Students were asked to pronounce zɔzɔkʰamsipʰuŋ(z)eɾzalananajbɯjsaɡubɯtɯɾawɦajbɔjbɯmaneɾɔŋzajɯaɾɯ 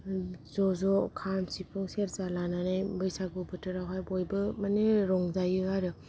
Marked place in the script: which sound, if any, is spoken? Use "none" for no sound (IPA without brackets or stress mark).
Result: s